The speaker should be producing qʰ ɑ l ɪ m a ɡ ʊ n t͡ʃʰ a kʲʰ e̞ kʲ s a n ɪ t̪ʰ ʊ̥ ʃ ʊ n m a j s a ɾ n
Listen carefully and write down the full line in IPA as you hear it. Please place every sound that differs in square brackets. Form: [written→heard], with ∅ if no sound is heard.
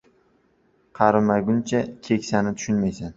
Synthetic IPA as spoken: qʰ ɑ [l→ɾ] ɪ m a ɡ ʊ n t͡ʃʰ a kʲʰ e̞ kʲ s a n ɪ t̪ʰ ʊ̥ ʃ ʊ n m a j s a [ɾ→∅] n